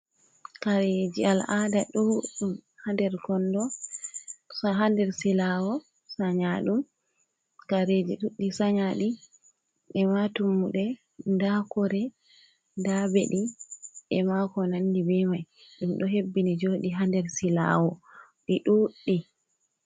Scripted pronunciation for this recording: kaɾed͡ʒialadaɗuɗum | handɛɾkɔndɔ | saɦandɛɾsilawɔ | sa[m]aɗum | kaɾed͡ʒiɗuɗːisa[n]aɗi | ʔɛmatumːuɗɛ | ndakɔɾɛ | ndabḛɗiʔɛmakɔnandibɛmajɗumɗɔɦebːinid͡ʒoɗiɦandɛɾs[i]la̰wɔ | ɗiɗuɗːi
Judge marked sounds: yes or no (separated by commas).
no, no, yes